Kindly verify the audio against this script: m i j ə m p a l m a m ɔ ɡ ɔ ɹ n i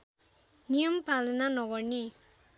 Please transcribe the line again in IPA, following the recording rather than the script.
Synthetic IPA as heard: n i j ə m p a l n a n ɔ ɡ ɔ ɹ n i

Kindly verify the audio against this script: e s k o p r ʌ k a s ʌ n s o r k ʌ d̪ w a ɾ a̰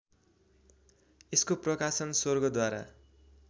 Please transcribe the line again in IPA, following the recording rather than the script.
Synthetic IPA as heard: e s k o p r ʌ k a s ʌ n s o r ɡ ʌ d̪ w a ɾ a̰

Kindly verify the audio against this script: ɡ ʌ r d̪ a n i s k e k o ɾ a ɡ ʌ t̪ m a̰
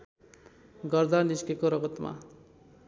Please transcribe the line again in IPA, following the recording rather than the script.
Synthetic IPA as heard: ɡ ʌ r d̪ a n i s k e k o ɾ ʌ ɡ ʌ t̪ m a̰

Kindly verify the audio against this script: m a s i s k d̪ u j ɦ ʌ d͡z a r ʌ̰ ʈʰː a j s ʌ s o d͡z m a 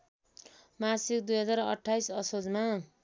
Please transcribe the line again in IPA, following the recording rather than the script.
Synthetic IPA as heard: m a s i k d̪ u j ɦ ʌ d͡z a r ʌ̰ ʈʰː a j s ʌ s o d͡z m a

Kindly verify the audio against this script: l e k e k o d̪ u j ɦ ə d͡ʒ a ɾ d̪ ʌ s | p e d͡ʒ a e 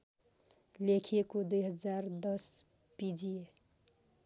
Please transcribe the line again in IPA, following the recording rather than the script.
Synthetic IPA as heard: l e kʰ e k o d̪ u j ɦ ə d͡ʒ a ɾ d̪ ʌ s | p i d͡ʒ i e

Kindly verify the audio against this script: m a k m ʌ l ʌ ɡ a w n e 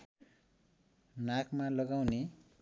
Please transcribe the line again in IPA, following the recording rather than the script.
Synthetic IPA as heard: n a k m a l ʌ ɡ a w n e

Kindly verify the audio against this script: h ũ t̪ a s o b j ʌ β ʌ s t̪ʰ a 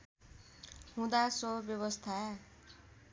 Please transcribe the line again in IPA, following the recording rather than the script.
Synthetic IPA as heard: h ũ d̪ a s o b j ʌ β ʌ s t̪ʰ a

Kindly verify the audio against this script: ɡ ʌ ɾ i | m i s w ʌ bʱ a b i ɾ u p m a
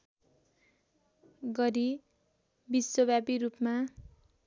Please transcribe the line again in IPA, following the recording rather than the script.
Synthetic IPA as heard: ɡ ʌ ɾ i | b i s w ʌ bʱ a b i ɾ u p m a

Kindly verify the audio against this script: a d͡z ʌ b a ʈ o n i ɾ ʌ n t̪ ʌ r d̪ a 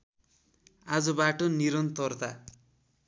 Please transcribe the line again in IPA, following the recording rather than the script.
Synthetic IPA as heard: a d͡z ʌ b a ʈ o n i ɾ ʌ n t̪ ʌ r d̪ a

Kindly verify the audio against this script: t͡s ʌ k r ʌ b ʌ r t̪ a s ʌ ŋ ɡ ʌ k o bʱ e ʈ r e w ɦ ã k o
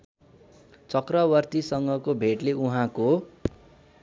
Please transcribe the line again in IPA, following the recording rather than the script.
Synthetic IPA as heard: t͡s ʌ k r ʌ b ʌ r t̪ i s ʌ ŋ ɡ ʌ k o bʱ e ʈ l e u ɦ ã k o

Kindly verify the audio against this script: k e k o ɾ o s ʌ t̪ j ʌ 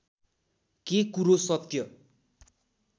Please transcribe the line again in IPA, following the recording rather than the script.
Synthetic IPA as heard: k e k u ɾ o s ʌ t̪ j ʌ

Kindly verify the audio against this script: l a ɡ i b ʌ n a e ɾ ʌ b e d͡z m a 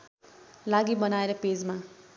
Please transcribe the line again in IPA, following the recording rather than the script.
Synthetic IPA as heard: l a ɡ i b ʌ n a e ɾ ʌ p e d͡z m a

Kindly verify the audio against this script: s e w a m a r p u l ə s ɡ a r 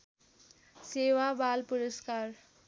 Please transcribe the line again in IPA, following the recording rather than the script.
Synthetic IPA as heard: s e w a b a l p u ɾ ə s k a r

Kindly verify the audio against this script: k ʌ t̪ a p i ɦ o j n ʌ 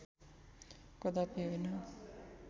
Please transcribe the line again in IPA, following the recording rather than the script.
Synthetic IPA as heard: k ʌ d̪ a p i ɦ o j n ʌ

